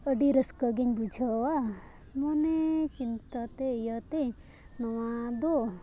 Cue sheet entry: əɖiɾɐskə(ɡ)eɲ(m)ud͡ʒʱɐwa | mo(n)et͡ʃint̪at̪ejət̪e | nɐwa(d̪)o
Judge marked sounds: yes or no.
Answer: yes, no, yes, yes

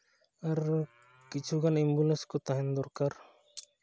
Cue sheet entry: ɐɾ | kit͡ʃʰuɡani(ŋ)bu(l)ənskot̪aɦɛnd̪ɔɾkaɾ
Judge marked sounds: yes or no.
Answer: no, yes

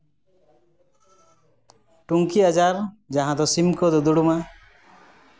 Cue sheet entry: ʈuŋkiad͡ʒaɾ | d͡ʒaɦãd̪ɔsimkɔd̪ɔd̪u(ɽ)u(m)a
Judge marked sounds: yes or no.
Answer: yes, yes

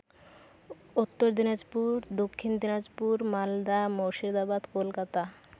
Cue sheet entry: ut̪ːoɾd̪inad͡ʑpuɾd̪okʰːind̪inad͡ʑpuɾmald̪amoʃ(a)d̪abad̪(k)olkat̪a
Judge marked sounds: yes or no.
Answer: no, yes

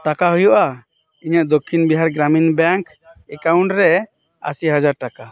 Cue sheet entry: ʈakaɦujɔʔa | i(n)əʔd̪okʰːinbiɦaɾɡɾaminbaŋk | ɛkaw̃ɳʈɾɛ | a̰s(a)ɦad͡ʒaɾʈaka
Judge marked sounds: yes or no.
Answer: no, no

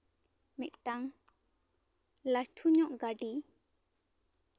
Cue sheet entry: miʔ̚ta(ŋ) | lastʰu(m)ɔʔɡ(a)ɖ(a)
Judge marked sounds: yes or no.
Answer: yes, no, yes, no

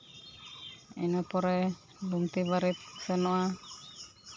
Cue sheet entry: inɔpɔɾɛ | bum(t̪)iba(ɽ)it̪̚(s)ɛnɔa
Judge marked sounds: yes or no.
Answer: yes, no, yes

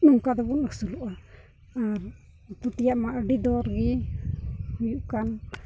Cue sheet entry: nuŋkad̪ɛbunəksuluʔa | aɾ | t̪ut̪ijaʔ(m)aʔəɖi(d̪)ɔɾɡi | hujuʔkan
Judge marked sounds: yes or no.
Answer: yes, yes

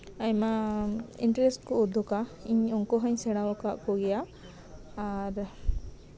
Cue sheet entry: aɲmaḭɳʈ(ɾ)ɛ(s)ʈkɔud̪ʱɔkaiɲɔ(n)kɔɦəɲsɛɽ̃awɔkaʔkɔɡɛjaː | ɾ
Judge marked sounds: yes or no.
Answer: yes, yes, no

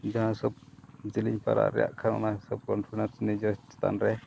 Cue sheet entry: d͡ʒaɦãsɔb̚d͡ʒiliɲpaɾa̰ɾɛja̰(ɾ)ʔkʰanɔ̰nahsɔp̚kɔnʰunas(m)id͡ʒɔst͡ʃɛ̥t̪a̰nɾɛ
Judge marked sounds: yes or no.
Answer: no, no

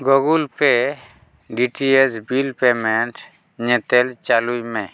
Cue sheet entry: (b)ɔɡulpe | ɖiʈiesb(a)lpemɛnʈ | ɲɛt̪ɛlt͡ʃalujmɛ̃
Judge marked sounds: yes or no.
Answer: no, no

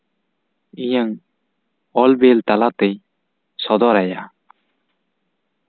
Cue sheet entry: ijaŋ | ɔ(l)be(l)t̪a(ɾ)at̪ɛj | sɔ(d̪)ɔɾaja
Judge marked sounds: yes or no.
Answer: yes, yes, no, yes

